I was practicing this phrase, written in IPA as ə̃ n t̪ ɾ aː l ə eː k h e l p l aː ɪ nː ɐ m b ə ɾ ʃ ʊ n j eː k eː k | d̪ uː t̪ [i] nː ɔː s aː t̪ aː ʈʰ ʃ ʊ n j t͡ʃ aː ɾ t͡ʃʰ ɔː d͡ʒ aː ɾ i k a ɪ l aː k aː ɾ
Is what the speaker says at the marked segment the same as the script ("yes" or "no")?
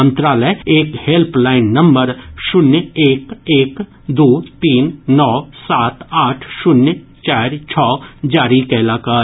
no